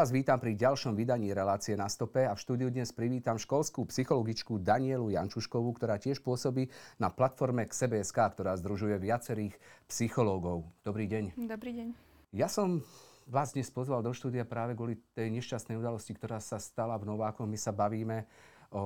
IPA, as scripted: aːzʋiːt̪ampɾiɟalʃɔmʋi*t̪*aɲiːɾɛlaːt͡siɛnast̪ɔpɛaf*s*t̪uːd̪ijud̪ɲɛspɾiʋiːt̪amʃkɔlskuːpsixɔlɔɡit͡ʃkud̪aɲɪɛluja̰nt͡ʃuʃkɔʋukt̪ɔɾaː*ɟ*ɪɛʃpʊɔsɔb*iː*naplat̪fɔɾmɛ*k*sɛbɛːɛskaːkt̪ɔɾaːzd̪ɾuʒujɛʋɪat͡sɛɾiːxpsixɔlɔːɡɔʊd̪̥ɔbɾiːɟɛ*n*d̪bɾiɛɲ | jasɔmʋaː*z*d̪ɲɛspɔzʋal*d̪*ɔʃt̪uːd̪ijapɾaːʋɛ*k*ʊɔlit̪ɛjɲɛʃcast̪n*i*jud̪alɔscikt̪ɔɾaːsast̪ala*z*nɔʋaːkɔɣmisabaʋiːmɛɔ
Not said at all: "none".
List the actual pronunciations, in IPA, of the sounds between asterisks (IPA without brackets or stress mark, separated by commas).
d̪, ʃ, c, iː, k, ɲ, z, d̪, ɡ, ɛ, v